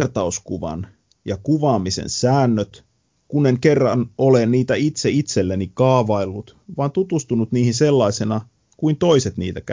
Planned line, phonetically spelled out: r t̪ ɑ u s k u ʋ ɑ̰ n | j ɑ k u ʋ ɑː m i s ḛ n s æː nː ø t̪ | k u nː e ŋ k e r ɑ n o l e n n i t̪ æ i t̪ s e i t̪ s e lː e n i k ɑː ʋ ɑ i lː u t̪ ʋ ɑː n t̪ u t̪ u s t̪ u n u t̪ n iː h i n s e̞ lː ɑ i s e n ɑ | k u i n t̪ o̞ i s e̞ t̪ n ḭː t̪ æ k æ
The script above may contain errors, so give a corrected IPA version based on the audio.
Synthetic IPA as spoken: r t̪ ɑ u s k u ʋ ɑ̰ n | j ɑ k u ʋ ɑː m i s ḛ n s æː nː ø t̪ | k u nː e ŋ k e rː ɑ n o l e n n iː t̪ æ i t̪ s e i t̪ s e lː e n i k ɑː ʋ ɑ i lː u t̪ ʋ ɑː n t̪ u t̪ u s t̪ u n u t̪ n iː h i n s e̞ lː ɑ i s e n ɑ | k u i n t̪ o̞ i s e̞ t̪ n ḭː t̪ æ k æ